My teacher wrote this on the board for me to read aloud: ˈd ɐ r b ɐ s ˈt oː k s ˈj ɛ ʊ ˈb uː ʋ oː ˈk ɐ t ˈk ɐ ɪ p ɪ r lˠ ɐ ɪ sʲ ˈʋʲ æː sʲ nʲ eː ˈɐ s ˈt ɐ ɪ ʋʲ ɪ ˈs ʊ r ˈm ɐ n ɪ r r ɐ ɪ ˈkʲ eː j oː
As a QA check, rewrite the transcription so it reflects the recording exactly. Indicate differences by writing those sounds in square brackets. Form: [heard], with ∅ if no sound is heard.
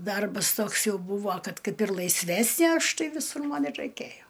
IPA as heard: ˈd ɐ r b ɐ s ˈt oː k s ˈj ɛ ʊ ˈb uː ʋ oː ˈk ɐ t ˈk ɐ ɪ p ɪ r lˠ ɐ ɪ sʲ ˈʋʲ æː sʲ nʲ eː ˈɐ [ʃ] ˈt ɐ ɪ ʋʲ ɪ ˈs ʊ r ˈm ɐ n ɪ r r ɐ ɪ ˈkʲ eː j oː